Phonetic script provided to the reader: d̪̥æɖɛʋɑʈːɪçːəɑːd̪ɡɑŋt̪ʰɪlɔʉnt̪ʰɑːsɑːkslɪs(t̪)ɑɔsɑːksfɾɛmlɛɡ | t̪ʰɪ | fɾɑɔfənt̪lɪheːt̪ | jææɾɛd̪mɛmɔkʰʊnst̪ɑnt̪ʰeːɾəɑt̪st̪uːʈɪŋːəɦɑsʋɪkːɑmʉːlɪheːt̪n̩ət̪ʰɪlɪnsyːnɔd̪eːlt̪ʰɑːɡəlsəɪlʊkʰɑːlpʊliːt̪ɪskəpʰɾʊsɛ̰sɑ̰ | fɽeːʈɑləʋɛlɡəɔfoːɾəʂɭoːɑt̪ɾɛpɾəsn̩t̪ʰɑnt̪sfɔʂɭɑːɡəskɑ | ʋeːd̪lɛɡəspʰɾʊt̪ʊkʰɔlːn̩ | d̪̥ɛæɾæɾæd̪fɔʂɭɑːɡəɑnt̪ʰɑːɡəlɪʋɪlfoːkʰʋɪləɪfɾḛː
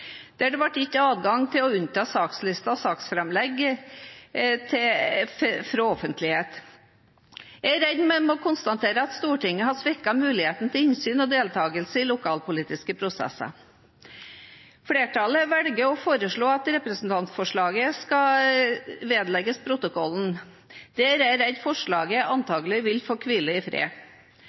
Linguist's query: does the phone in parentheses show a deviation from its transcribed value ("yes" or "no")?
no